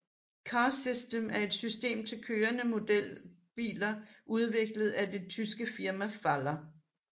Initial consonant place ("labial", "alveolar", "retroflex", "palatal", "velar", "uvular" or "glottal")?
velar